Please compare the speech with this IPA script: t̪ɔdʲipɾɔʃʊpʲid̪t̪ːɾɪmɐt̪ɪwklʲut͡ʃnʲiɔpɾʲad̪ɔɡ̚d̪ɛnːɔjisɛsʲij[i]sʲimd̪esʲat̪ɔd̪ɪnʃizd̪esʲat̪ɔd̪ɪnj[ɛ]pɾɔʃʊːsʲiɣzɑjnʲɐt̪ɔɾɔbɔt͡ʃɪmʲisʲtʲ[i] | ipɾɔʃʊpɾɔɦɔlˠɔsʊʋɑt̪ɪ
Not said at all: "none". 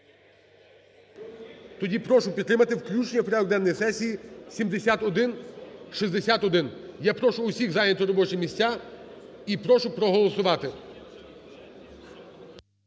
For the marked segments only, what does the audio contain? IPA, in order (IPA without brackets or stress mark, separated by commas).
i, a, a